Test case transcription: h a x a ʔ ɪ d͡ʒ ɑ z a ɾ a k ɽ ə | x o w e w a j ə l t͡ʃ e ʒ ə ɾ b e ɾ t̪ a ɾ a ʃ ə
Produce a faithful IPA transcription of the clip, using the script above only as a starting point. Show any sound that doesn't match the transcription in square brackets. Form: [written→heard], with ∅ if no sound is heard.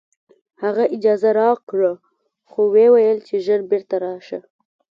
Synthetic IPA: h a [x→ɣ] a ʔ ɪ d͡ʒ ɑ z a ɾ [a→ɑ] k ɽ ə | x o w e w a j ə l t͡ʃ e ʒ ə ɾ b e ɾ t̪ a ɾ [a→ɑ] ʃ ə